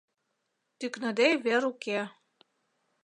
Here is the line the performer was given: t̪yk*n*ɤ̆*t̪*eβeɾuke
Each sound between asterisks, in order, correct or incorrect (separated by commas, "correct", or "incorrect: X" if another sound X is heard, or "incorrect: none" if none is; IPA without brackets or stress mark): correct, incorrect: d̪